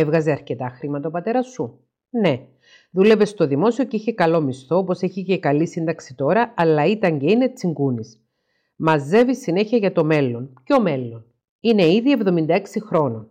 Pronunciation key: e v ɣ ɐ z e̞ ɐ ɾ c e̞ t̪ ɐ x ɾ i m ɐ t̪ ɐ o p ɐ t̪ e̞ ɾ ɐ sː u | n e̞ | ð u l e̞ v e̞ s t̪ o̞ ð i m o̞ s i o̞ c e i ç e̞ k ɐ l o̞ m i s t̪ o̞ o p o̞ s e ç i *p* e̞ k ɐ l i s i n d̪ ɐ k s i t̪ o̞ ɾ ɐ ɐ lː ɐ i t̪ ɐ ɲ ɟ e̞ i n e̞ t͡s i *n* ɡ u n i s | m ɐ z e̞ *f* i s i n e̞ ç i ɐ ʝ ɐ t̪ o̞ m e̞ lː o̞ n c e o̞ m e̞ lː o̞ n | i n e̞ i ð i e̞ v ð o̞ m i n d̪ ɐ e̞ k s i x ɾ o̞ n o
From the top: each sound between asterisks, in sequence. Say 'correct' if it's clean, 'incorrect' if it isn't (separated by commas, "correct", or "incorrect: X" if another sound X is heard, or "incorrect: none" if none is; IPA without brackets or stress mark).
incorrect: c, incorrect: ŋ, incorrect: v